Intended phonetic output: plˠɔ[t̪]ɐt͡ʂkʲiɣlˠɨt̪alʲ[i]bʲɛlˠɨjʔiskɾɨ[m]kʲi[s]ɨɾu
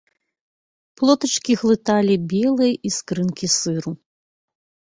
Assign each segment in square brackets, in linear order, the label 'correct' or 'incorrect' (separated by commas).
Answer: correct, correct, incorrect, correct